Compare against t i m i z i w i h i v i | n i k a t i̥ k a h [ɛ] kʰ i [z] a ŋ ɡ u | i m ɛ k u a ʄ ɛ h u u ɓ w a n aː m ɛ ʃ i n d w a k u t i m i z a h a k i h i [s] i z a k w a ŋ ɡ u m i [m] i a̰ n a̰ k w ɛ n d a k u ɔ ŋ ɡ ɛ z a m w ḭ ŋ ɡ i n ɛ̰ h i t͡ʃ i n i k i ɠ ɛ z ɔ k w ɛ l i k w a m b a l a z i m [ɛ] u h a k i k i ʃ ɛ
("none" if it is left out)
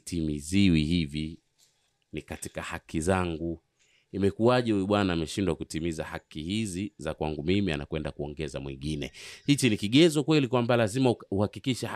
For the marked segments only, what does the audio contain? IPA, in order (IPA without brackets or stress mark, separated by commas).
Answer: a, z, z, m, a